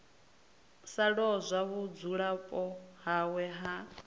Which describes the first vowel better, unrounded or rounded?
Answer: unrounded